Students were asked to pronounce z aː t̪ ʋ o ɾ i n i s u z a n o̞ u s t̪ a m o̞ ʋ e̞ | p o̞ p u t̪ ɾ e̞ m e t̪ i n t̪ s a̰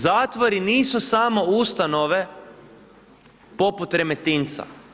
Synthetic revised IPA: z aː t̪ ʋ o ɾ i n iː s u s a m o̞ u s t̪ a n o̞ ʋ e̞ | p o̞ p u t̪ ɾ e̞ m e t̪ i n t̪ s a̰